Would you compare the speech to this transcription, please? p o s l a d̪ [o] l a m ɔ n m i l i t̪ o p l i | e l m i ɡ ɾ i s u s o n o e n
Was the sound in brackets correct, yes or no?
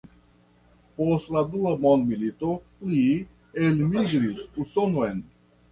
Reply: no